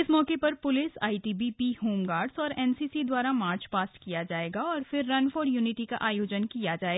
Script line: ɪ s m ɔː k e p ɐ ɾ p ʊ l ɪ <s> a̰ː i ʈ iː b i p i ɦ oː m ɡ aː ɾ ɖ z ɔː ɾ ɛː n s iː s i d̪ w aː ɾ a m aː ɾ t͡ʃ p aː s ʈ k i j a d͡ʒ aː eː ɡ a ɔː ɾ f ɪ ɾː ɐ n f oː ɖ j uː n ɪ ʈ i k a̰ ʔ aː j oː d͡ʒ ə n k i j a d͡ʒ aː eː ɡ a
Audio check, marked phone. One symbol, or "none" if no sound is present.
s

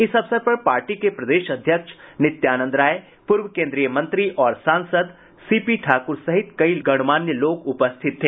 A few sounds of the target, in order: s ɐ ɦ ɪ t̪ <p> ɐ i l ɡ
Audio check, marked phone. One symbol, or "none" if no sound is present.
k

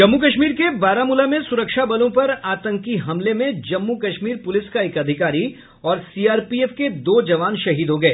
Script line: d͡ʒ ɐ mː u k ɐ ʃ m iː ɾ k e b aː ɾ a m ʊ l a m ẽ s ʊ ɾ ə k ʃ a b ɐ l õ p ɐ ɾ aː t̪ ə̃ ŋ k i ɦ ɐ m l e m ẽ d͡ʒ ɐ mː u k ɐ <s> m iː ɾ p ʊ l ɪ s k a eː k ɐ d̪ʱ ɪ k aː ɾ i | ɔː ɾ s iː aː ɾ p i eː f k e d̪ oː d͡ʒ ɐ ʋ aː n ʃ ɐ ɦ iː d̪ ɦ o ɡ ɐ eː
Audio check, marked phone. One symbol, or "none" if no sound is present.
ʃ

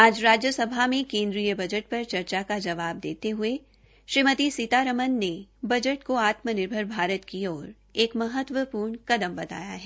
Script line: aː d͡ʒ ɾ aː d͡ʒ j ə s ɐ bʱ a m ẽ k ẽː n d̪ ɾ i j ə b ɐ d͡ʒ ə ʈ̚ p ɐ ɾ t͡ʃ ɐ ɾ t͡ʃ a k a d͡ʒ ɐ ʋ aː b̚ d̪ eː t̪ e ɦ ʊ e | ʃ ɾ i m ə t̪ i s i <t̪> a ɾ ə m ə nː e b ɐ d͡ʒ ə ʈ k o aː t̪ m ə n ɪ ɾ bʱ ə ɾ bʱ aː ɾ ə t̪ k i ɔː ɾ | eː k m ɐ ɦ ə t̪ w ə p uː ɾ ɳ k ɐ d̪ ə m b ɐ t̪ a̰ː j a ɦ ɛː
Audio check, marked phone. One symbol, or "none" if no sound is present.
t̪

